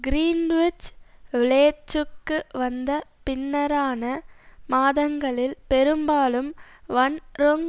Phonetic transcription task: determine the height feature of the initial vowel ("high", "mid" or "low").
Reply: high